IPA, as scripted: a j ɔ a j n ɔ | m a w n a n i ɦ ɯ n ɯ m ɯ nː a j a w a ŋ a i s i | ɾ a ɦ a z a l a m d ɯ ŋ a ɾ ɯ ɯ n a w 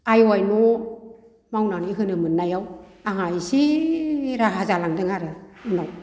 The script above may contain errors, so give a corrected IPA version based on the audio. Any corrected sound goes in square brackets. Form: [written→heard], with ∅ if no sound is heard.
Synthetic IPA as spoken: a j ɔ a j n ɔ | m a w n a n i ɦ ɯ n ɯ m ɯ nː a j a w a ŋ a [i→j] s i | ɾ a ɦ a z a l a [m→ŋ] d ɯ ŋ a ɾ ɯ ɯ n a w